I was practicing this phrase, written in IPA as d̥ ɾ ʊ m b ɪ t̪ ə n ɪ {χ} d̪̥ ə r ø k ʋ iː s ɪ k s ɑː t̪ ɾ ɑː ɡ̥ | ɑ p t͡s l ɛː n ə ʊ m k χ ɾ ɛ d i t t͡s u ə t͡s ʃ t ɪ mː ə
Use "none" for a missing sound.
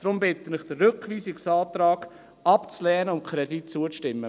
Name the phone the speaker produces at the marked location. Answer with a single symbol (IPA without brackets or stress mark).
χ